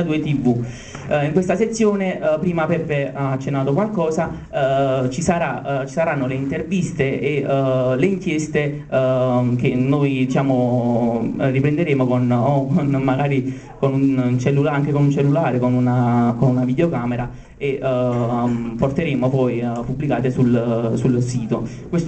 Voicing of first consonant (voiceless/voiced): voiced